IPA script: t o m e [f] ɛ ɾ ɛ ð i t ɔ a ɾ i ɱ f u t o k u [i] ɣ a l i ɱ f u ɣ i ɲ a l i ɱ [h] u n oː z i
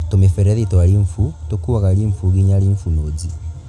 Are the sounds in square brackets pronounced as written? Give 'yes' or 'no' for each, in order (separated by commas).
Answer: yes, no, no